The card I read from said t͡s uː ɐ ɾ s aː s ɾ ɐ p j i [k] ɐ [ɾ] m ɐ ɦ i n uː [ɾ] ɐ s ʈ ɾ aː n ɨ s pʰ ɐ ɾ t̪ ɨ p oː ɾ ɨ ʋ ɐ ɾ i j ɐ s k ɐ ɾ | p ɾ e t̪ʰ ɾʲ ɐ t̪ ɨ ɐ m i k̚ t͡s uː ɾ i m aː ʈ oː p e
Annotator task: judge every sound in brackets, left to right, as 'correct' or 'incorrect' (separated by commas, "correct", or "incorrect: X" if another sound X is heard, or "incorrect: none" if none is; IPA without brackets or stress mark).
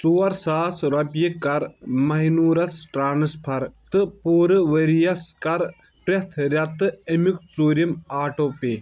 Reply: correct, correct, correct